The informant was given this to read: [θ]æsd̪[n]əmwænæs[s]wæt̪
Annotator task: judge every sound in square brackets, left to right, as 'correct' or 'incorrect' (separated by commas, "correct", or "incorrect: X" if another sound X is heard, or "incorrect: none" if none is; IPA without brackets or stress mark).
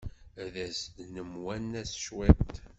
incorrect: ð, correct, incorrect: ʃ